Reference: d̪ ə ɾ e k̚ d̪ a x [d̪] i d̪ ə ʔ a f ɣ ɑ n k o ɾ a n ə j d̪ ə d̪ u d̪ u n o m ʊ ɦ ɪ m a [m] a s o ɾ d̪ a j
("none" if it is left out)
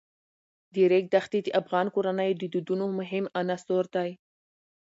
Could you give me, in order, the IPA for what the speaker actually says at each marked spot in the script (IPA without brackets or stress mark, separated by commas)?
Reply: t̪, n